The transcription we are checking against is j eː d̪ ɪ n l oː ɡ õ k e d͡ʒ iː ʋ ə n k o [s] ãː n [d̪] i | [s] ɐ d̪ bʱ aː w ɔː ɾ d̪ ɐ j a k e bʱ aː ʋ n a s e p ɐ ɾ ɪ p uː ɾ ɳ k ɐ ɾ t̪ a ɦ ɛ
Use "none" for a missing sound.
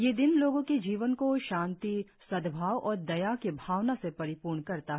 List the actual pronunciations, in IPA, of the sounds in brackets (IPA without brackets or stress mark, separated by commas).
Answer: ʃ, t̪, s